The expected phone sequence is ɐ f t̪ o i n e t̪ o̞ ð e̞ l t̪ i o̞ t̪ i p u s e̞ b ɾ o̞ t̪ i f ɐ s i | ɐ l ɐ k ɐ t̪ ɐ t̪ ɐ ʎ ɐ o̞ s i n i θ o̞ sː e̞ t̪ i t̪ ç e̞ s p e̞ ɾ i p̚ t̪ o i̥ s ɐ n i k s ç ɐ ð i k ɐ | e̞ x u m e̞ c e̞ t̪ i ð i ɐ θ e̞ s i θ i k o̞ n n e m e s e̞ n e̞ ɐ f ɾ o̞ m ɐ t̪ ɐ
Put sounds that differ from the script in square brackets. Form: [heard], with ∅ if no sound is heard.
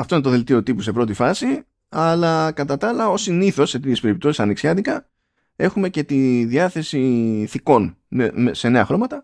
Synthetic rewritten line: ɐ f t̪ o i n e t̪ o̞ ð e̞ l t̪ i o̞ t̪ i p u s e̞ [p] ɾ o̞ t̪ i f ɐ s i | ɐ l ɐ k ɐ t̪ ɐ t̪ ɐ [l] ɐ o̞ s i n i θ o̞ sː e̞ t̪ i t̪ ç e̞ s p e̞ ɾ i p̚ t̪ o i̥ s ɐ n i k s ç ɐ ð i k ɐ | e̞ x u m e̞ c e̞ t̪ i ð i ɐ θ e̞ s i θ i k o̞ n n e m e s e̞ n e̞ ɐ [x] ɾ o̞ m ɐ t̪ ɐ